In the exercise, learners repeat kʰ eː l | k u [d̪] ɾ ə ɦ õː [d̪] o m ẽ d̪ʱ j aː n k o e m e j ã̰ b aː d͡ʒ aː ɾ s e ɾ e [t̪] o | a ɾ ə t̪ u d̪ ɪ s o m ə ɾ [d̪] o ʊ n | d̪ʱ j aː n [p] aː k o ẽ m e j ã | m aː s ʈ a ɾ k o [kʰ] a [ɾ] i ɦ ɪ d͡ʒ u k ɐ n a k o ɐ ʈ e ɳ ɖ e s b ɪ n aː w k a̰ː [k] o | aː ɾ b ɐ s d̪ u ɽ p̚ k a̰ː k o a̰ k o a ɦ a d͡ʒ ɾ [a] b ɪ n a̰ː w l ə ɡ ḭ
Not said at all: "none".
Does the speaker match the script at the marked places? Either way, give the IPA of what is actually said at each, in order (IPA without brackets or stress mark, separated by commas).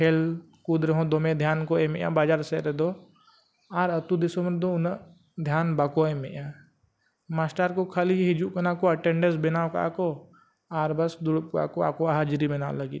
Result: d̪, d̪, d̪, d̪, b, kʰ, l, k, i